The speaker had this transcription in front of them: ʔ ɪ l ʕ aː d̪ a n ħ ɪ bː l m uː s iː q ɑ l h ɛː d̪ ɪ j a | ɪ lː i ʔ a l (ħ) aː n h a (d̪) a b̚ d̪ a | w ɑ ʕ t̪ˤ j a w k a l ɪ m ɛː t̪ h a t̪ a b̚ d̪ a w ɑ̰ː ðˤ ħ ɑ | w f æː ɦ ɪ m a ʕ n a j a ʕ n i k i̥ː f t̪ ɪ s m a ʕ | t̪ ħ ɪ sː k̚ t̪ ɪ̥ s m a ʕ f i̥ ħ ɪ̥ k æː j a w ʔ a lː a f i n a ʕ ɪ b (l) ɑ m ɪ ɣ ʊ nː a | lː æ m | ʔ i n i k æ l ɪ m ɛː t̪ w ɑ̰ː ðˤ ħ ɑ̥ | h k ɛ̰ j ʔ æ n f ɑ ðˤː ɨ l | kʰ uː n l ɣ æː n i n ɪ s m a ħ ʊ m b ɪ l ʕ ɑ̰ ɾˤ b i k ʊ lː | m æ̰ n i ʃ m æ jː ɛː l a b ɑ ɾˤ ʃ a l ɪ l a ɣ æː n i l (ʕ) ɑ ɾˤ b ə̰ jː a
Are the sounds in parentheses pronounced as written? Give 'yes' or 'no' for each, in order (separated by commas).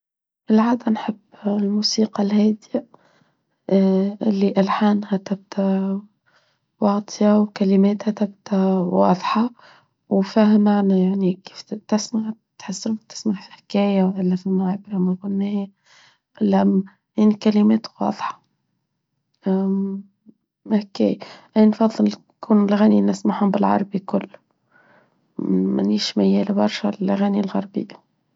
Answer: yes, no, no, no